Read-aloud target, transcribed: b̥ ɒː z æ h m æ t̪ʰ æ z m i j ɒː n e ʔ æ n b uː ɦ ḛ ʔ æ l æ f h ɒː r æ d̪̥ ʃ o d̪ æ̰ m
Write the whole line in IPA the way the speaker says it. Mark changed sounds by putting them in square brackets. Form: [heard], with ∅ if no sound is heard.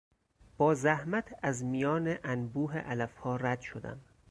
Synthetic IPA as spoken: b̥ ɒː z æ h m æ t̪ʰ æ z m i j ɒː n e ʔ æ n b uː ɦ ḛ ʔ æ l æ f h ɒː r æ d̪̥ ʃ o d̪ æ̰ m